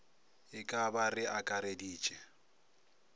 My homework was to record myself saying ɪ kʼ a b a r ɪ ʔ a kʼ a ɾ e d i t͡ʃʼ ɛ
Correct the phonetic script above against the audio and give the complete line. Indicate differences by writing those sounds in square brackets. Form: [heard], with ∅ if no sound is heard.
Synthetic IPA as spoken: ɪ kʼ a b a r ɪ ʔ a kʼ a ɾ e d [iː] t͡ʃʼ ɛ